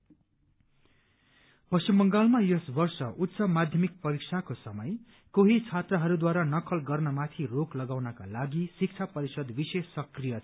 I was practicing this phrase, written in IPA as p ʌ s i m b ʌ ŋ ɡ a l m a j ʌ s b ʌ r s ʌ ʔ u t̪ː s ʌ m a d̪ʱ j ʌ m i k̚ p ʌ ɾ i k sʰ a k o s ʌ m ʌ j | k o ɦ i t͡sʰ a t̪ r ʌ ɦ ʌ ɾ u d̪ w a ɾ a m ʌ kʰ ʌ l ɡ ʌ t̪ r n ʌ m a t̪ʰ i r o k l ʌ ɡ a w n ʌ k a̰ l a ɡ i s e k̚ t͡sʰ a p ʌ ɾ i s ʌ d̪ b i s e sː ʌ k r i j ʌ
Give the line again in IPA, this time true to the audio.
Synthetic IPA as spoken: p ʌ s i m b ʌ ŋ ɡ a l m a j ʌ s b ʌ r s ʌ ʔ u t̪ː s ʌ m a d̪ʱ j ʌ m i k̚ p ʌ ɾ i k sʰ a k o s ʌ m ʌ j | k o ɦ i t͡sʰ a t̪ r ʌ ɦ ʌ ɾ u d̪ w a ɾ a n ʌ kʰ ʌ l ɡ ʌ r n ʌ m a t̪ʰ i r o k l ʌ ɡ a w n ʌ k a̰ l a ɡ i s i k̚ t͡sʰ a p ʌ ɾ i s ʌ d̪ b i s e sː ʌ k r i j ʌ